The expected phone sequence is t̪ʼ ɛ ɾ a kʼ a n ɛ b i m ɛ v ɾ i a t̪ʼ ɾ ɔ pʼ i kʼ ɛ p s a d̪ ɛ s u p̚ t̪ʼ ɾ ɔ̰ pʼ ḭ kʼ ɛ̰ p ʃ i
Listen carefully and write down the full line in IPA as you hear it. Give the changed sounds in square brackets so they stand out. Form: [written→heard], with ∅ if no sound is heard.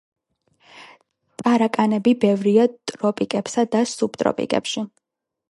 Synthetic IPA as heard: t̪ʼ [ɛ→a] ɾ a kʼ a n ɛ b i [m→b] ɛ v ɾ i a t̪ʼ ɾ ɔ pʼ i kʼ ɛ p s a d̪ [ɛ→a] s u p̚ t̪ʼ ɾ ɔ̰ pʼ ḭ kʼ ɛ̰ p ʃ i